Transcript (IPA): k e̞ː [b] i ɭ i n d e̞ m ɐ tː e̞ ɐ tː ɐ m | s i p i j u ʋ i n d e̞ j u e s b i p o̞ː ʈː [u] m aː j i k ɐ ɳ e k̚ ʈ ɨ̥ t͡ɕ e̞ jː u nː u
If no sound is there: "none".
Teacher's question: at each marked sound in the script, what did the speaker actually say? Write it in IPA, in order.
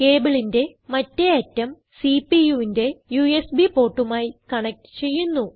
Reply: b, u

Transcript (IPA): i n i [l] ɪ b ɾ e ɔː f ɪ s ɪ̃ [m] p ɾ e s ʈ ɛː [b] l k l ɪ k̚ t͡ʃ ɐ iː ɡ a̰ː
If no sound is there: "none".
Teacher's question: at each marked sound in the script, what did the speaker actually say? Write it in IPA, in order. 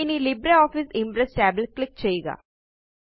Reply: l, m, b

